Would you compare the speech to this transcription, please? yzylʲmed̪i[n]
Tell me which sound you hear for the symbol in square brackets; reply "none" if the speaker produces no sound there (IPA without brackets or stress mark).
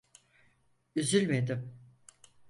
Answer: m